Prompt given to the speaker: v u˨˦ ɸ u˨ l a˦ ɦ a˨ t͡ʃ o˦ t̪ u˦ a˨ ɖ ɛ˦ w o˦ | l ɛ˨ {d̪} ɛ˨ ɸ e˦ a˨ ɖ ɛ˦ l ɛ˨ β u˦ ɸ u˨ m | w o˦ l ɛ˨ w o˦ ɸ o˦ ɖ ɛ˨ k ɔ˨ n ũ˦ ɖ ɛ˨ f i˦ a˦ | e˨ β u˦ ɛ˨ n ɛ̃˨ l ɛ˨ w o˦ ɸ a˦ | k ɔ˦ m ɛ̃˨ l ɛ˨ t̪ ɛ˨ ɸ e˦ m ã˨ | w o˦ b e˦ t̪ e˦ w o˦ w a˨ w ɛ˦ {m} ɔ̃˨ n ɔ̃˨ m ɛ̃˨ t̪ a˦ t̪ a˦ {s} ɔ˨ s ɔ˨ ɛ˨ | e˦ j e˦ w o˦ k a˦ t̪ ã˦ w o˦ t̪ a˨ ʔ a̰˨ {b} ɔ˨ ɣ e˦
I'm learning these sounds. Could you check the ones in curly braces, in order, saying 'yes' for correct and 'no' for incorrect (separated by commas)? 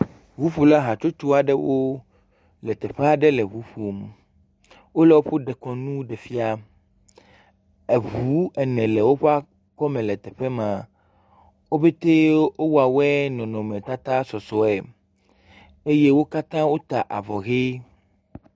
no, no, yes, no